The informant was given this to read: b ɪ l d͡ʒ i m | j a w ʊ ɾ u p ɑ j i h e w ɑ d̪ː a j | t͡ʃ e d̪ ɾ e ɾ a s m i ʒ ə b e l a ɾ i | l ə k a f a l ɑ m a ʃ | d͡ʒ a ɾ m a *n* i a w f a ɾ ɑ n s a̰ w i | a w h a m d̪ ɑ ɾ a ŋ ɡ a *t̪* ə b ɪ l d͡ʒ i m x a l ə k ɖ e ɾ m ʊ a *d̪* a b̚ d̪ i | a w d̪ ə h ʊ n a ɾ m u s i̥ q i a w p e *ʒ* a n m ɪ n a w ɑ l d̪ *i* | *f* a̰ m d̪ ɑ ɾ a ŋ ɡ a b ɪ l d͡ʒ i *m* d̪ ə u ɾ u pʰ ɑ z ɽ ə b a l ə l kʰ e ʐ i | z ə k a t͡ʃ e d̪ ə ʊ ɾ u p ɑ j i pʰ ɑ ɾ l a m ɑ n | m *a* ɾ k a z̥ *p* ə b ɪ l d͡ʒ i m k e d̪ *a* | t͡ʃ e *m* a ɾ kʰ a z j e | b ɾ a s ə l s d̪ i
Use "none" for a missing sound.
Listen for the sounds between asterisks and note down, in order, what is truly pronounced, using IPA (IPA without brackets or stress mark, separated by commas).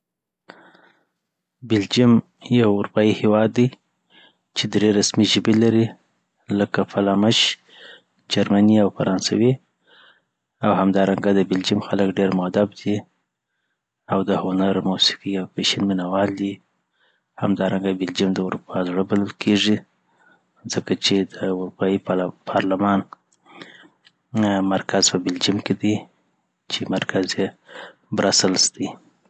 n, d̪, d̪, ʃ, i, h, m, a, p, i, m